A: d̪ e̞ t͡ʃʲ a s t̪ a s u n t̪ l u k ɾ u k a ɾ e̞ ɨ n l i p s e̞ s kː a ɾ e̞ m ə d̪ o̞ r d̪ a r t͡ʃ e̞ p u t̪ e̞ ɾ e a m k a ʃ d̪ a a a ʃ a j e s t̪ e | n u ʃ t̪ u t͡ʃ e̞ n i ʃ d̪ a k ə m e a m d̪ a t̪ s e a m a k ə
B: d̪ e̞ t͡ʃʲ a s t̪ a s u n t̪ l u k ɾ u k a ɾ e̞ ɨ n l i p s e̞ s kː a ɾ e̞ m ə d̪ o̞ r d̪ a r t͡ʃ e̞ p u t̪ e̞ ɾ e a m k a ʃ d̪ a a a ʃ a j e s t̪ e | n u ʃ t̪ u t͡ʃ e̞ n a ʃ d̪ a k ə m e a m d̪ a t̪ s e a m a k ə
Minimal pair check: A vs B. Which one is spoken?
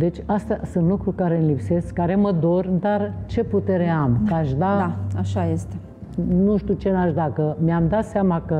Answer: B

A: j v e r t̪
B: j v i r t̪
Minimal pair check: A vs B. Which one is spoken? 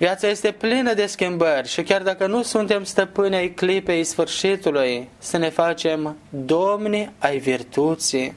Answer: B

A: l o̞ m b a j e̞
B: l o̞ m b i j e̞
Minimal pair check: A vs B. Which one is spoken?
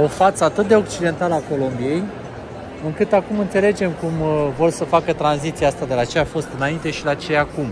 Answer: B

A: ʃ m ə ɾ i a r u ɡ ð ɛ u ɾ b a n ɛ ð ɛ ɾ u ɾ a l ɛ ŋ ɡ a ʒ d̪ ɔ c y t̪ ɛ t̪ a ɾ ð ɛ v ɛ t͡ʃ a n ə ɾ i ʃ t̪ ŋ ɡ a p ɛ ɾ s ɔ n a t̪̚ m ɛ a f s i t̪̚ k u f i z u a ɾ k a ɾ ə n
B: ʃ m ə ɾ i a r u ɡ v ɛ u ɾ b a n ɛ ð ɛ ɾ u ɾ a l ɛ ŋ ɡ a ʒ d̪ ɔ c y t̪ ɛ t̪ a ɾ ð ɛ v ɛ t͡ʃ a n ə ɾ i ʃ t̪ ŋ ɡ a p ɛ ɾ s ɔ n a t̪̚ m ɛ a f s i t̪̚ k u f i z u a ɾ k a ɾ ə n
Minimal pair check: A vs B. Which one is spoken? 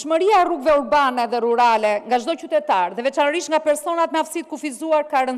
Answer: B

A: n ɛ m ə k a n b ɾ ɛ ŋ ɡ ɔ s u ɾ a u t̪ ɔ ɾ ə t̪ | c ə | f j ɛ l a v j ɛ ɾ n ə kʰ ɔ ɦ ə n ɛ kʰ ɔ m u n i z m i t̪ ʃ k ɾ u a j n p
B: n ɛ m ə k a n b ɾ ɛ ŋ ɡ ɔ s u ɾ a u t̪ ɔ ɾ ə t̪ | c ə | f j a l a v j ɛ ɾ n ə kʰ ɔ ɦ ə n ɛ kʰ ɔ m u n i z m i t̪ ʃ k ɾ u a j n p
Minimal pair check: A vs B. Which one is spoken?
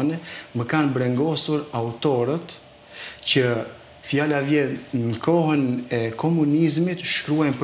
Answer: B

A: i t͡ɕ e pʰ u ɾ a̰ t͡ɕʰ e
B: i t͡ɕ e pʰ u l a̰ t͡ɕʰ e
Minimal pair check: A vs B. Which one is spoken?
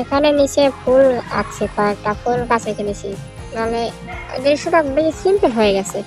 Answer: B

